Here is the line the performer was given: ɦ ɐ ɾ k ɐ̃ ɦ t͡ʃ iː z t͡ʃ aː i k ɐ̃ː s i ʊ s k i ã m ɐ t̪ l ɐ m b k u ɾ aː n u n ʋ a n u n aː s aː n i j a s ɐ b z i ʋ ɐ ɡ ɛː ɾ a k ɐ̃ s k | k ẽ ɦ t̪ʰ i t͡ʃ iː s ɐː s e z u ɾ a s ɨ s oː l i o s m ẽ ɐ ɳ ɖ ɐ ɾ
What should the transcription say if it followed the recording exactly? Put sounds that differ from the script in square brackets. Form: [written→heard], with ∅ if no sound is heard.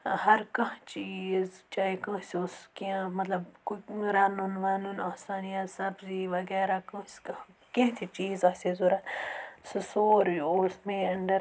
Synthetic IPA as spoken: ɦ ɐ ɾ k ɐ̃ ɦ t͡ʃ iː z t͡ʃ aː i k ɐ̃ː s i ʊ s k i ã m ɐ t̪ l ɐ [m→∅] b k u ɾ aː n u n ʋ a n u n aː s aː n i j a s ɐ b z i ʋ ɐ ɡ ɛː ɾ a k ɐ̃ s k | k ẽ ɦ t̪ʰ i t͡ʃ iː [s→z] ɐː s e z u ɾ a s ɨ s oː [l→ɾ] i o s m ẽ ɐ ɳ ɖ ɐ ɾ

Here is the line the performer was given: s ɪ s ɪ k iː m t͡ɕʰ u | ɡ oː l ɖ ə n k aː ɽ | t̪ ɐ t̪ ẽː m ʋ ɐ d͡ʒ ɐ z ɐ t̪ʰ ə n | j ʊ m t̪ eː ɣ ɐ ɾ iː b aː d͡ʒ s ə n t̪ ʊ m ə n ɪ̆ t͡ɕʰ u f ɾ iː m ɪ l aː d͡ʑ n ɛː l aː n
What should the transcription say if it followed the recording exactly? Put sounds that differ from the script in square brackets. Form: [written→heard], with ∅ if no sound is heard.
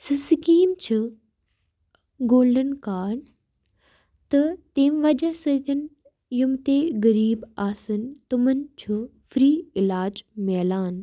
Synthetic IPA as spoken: s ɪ s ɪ k iː m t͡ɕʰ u | ɡ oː l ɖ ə n k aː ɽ | t̪ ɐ t̪ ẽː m ʋ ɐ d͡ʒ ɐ [z→s] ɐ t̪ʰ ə n | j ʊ m t̪ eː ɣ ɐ ɾ iː b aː [d͡ʒ→∅] s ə n t̪ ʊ m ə n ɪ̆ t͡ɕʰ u f ɾ iː [m→∅] ɪ l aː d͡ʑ [n→m] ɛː l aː n

